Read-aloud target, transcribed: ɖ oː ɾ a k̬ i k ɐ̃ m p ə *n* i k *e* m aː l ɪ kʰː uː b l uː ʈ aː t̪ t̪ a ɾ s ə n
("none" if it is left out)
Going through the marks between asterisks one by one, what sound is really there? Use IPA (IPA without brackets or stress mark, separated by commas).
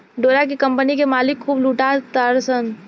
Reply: n, e